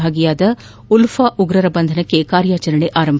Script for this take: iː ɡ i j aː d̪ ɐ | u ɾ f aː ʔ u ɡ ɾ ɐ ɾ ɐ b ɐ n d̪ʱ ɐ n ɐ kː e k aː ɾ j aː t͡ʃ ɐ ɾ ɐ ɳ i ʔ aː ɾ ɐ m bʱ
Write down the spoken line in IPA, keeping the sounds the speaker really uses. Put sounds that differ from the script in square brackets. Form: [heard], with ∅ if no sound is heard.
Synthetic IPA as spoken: [aː] ɡ i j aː d̪ ɐ | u [l] f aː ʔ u ɡ ɾ ɐ ɾ ɐ b ɐ n d̪ʱ ɐ n ɐ kː e k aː ɾ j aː t͡ʃ ɐ ɾ ɐ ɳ [e] ʔ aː ɾ ɐ m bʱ